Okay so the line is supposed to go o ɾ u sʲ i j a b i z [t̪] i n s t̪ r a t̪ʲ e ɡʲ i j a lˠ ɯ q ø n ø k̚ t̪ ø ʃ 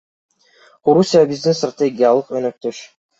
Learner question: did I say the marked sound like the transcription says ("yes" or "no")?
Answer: no